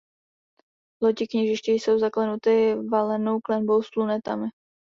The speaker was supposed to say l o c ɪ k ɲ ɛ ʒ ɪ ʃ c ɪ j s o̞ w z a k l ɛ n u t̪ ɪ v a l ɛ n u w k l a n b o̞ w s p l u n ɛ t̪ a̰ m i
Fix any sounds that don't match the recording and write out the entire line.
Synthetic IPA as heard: l o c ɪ k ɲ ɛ ʒ ɪ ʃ c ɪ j s o̞ w z a k l ɛ n u t̪ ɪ v a l ɛ n o w k l ɛ n b o̞ w s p l u n ɛ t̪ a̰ m ɪ